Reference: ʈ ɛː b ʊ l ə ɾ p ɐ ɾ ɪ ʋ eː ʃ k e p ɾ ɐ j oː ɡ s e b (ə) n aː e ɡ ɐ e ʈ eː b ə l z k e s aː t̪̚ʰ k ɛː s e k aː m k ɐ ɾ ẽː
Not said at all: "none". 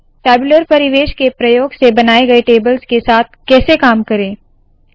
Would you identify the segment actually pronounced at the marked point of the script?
ɐ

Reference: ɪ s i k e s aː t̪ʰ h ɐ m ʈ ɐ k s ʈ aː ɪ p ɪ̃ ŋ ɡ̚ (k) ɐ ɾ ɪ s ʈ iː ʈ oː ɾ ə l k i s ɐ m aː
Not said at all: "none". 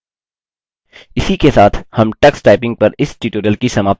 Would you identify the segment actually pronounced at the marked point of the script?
p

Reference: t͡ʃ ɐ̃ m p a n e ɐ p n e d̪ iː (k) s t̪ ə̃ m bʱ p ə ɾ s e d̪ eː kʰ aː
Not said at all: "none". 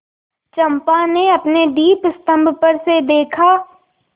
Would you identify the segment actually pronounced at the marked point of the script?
p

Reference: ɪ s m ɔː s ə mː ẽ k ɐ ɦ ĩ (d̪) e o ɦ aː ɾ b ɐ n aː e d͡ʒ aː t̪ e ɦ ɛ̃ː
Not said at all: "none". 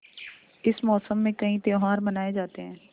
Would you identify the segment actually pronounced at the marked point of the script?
t̪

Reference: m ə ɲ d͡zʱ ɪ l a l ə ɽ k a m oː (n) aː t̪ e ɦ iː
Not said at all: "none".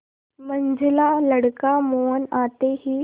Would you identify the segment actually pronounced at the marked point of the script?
n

